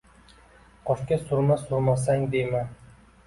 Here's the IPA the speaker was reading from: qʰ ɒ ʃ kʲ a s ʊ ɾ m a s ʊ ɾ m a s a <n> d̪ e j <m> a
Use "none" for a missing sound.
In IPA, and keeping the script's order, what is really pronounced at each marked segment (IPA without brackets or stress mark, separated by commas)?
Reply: ŋ, m